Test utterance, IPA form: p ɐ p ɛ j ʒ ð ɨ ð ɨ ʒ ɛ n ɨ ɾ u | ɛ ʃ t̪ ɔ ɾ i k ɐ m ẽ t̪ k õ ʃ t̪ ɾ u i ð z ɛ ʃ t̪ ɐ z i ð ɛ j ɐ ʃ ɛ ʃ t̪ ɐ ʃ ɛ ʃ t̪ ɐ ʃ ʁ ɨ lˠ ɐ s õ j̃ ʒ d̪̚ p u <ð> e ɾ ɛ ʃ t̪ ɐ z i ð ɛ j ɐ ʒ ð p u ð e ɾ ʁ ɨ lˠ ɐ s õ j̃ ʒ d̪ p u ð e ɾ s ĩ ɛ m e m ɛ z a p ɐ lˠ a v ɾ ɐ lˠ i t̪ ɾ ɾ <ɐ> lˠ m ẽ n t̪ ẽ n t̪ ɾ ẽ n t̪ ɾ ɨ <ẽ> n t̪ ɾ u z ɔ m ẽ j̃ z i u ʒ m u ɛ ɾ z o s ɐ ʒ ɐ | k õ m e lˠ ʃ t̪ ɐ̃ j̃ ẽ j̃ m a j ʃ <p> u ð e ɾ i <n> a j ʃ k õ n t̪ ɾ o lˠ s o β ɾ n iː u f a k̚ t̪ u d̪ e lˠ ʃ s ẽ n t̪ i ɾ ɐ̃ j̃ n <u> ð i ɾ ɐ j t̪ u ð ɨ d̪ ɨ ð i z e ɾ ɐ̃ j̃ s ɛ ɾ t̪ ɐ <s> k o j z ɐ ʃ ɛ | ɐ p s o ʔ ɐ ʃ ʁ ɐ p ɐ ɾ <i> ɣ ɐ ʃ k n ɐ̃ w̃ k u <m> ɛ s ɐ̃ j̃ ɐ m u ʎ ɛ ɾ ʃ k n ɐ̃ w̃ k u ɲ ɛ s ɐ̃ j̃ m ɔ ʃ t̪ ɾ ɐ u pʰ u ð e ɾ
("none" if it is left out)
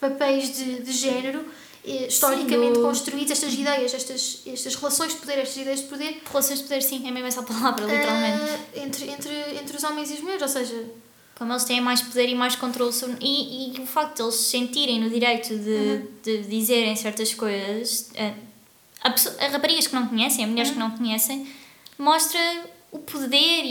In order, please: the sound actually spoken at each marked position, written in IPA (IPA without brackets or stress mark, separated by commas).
ð, a, ẽ, p, m, u, ʃ, i, ɲ